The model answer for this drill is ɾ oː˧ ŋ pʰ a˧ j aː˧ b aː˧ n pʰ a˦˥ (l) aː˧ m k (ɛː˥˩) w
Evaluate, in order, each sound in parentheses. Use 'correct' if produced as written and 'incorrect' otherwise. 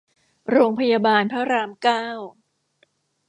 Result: incorrect, incorrect

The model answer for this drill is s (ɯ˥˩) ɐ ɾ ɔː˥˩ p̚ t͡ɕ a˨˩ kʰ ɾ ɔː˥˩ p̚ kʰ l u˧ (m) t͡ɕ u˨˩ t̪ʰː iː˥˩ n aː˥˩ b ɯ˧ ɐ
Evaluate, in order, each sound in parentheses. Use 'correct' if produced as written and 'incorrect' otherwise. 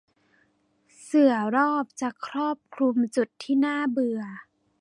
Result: incorrect, correct

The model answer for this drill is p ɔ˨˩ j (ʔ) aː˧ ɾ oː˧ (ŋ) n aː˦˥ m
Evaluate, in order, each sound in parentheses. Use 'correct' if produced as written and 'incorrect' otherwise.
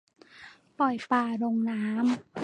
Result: incorrect, correct

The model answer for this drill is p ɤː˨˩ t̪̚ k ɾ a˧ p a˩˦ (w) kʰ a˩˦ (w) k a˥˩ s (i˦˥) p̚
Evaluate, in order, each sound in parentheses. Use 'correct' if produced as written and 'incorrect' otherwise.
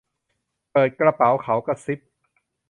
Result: correct, correct, correct

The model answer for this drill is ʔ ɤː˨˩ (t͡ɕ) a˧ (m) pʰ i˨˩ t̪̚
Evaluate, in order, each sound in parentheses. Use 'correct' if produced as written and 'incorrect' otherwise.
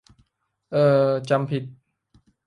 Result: correct, correct

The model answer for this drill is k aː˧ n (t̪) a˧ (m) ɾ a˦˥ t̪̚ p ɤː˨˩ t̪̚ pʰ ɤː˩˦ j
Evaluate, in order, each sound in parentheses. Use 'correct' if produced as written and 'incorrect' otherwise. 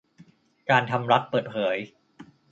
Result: incorrect, correct

